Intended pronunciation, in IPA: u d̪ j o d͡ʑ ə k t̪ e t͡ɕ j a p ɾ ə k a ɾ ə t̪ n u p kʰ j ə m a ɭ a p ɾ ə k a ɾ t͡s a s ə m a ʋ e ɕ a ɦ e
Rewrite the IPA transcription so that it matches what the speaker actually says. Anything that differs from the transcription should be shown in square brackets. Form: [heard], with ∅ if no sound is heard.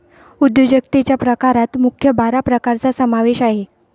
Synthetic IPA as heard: u d̪ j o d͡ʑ ə k t̪ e t͡ɕ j a p ɾ ə k a ɾ [a] t̪ [m] u [∅] kʰ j ə [b] a [ɾ] a p ɾ ə k a ɾ t͡s a s ə m a ʋ e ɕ a ɦ e